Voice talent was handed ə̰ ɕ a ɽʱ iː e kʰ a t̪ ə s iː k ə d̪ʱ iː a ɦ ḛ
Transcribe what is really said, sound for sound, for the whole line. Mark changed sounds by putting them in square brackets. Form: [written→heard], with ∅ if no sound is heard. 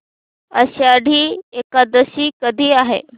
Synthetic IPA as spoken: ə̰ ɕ a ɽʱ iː e [kʰ→k] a [t̪→d̪] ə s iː k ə d̪ʱ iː a ɦ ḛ